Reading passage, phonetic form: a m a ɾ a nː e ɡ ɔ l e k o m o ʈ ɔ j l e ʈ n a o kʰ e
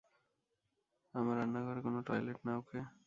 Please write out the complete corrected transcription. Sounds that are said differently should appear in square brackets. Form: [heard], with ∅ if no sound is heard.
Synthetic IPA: a m a ɾ a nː [a] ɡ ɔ [ɾ] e k o [n] o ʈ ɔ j l e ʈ n a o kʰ e